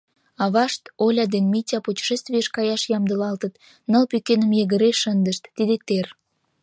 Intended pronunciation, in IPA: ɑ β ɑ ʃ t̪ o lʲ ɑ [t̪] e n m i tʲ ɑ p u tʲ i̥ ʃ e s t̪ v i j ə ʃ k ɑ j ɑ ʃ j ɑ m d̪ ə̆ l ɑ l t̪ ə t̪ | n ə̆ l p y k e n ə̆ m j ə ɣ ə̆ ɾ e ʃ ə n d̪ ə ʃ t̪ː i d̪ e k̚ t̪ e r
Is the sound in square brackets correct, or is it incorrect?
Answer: incorrect: d̪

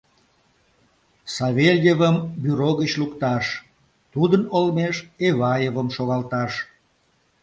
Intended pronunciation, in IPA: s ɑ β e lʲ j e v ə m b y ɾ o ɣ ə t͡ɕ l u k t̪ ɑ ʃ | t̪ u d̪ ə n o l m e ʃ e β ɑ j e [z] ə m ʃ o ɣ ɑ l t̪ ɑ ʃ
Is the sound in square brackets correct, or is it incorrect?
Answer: incorrect: v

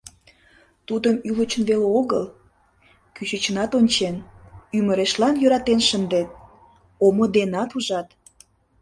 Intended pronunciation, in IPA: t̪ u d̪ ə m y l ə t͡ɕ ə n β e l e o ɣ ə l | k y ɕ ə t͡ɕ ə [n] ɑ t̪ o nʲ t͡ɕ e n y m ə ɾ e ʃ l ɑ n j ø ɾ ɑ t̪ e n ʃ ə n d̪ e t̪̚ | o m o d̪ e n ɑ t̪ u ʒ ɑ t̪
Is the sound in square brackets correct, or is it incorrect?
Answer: correct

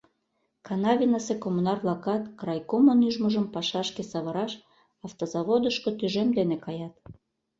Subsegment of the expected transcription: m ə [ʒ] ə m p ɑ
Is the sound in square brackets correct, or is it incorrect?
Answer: correct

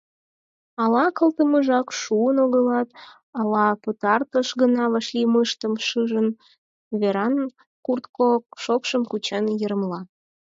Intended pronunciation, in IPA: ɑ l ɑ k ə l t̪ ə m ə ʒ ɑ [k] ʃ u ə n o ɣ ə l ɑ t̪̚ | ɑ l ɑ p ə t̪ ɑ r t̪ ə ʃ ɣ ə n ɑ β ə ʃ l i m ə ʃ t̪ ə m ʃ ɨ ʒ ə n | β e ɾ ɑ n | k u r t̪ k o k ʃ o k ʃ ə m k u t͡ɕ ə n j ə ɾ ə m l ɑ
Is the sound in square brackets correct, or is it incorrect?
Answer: correct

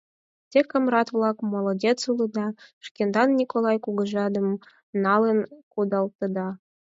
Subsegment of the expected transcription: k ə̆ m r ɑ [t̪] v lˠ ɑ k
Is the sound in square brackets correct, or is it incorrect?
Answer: correct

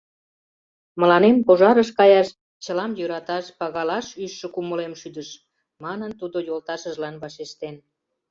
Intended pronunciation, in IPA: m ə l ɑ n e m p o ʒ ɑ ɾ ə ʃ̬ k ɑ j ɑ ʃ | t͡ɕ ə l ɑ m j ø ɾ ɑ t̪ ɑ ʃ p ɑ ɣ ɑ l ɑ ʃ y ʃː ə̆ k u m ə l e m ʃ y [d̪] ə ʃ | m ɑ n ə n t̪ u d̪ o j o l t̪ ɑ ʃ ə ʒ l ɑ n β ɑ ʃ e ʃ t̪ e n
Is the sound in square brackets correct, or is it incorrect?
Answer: correct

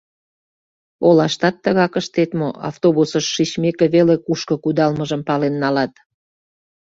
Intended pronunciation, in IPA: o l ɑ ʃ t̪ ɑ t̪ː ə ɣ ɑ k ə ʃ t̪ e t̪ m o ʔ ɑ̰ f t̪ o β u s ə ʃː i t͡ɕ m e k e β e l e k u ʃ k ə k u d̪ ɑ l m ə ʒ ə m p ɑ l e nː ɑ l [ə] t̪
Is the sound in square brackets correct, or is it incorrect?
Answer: incorrect: ɑ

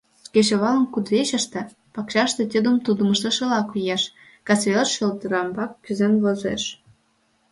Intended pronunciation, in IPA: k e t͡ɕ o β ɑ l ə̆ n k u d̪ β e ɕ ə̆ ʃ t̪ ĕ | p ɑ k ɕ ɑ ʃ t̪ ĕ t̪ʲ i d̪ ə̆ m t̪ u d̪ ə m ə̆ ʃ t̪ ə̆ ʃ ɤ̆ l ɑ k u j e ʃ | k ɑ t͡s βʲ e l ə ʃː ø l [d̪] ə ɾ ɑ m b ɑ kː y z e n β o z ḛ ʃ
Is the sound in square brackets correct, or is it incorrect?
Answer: incorrect: t̪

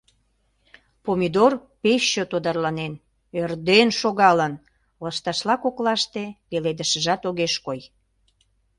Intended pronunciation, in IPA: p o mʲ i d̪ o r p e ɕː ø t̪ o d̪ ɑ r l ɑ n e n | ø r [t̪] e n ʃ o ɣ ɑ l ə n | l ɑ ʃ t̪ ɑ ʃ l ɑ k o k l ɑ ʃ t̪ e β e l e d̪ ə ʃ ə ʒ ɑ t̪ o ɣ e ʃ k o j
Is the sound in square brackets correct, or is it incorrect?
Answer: incorrect: d̪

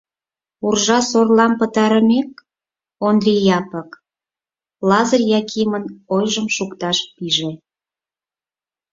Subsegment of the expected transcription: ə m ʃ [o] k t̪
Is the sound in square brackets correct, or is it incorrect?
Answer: incorrect: u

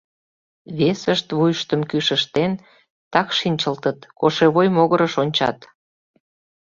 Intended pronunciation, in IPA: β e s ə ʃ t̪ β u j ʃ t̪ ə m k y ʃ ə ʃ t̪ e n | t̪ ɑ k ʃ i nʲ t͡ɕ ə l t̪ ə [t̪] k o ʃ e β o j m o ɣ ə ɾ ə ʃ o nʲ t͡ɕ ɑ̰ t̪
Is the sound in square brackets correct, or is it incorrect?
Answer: correct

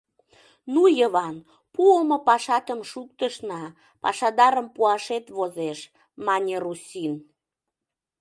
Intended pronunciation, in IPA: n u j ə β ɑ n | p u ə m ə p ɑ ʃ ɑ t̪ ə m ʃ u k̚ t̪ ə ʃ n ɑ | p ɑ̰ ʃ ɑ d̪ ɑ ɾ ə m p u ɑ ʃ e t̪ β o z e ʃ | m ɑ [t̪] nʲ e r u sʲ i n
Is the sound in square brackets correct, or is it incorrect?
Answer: incorrect: none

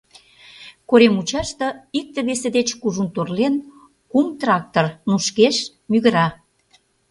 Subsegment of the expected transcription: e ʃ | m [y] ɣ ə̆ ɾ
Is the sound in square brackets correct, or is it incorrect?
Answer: correct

